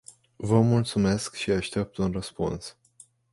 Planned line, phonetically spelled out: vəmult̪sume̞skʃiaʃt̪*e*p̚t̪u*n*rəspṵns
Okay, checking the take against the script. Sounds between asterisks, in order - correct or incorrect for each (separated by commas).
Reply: correct, correct